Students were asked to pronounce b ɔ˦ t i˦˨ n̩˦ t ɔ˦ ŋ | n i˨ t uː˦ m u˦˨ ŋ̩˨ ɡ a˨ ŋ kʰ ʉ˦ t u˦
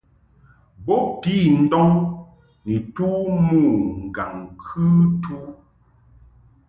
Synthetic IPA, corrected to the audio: b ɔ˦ p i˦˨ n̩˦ d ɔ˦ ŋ | n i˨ t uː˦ m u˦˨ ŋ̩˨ ɡ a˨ ŋ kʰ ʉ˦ t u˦

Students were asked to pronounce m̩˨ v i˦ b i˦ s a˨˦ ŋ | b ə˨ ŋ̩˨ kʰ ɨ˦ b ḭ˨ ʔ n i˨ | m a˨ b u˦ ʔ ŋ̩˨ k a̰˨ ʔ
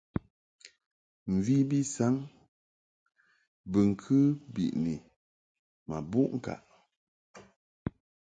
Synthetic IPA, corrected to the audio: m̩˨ v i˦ b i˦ s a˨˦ ŋ | b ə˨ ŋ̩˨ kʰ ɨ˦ b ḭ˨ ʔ n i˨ | m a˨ b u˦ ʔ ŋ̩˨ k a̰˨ ʔ

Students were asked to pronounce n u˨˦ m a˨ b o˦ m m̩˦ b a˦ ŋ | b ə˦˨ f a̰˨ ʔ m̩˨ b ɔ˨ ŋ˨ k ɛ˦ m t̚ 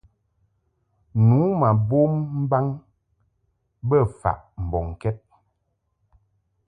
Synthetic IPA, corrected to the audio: n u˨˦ m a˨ b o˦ m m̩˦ b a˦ ŋ | b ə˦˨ f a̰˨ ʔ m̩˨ b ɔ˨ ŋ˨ k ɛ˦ t̚

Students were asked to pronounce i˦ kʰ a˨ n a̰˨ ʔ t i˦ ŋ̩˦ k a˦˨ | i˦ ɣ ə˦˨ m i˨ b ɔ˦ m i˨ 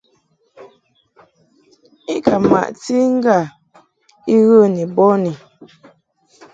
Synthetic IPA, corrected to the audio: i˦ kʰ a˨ m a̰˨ ʔ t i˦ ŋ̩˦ ɡ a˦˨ | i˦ ɣ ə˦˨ n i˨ b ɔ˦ n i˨

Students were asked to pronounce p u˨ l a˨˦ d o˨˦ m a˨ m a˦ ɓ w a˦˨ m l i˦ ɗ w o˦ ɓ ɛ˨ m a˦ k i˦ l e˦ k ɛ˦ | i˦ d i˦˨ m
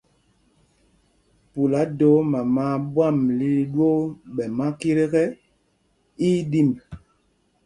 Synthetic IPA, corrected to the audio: p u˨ l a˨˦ d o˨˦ m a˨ m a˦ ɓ w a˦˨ m l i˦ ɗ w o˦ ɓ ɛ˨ m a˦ k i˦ ɾ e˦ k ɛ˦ | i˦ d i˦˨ m

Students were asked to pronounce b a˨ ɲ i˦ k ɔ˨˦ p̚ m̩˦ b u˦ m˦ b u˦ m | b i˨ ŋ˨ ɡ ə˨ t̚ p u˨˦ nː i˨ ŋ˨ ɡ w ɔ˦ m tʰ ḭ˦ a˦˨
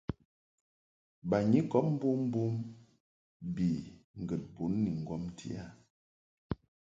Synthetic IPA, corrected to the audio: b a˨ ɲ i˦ k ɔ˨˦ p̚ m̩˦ b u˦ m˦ b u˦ m | b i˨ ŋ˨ ɡ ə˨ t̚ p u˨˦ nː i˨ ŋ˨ ɡ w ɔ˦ m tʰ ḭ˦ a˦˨

